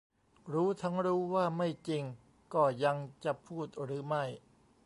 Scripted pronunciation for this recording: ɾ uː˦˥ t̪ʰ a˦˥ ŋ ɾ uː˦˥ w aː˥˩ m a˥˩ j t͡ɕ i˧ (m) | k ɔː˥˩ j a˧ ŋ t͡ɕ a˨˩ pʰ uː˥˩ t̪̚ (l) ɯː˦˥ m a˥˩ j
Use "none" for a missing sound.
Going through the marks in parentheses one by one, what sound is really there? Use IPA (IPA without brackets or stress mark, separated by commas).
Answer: ŋ, ɾ